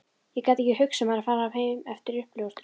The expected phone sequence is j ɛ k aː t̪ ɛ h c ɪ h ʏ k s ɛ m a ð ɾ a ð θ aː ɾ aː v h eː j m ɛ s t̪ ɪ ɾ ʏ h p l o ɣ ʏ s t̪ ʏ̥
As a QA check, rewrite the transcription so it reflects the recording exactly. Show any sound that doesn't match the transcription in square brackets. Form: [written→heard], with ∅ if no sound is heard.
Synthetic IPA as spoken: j ɛ k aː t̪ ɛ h c ɪ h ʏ k s ɛ m a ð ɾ a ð [θ→f] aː ɾ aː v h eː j m ɛ [s→f] t̪ ɪ ɾ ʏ h p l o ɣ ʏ s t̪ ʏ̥